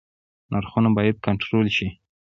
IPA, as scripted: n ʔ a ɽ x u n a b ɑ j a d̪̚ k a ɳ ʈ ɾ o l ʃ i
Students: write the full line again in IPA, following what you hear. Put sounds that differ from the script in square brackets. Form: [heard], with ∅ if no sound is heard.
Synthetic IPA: n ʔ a [ɾ] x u n a b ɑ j a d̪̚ k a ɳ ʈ ɾ o l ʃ i